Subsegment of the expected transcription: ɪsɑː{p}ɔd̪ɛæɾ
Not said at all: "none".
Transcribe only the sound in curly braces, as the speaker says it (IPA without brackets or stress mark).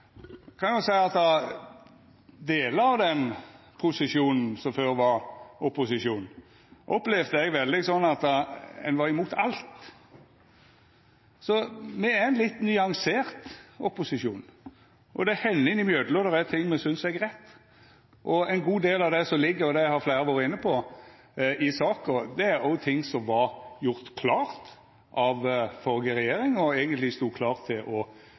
k